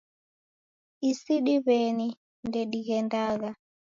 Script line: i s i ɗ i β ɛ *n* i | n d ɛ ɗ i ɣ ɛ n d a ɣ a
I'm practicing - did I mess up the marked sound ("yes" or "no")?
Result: no